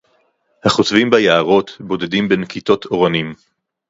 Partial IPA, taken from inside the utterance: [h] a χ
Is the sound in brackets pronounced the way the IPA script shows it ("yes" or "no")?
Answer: yes